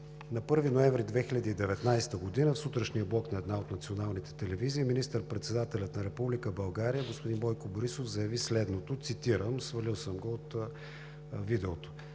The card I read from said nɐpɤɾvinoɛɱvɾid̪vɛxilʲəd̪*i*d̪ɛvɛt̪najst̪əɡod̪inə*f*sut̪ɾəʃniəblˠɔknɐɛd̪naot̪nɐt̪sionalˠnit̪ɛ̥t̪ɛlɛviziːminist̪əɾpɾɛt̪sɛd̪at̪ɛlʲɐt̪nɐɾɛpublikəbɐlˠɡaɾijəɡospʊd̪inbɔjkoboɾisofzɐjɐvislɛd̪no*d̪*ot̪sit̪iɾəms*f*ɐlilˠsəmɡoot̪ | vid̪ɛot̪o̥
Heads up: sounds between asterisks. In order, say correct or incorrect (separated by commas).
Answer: incorrect, correct, incorrect, incorrect